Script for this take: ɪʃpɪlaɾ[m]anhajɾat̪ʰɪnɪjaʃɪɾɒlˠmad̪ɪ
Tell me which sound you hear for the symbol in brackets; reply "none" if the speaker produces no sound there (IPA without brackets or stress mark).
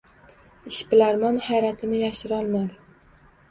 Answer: m